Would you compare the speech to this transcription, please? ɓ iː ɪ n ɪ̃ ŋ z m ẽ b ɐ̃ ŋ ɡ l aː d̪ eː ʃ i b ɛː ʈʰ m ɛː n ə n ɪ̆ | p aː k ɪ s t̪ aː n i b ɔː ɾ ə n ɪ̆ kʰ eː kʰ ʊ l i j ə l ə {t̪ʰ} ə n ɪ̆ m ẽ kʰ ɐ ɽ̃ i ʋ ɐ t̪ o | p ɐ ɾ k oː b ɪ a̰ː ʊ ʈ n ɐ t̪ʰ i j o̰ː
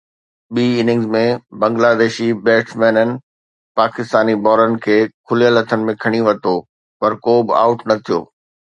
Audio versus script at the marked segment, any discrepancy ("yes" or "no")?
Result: no